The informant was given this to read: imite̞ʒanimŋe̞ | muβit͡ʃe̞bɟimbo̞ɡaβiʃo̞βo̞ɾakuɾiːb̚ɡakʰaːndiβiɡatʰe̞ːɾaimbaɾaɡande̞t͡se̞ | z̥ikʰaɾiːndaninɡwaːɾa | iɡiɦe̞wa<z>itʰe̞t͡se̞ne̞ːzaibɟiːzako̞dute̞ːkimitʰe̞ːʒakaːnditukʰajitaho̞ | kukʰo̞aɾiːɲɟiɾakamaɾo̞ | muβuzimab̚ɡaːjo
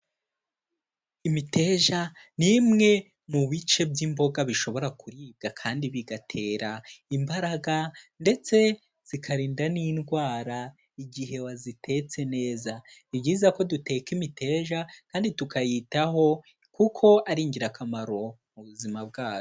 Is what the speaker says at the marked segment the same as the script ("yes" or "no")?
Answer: yes